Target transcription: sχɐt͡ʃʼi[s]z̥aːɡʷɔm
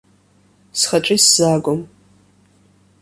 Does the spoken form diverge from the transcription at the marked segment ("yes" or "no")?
no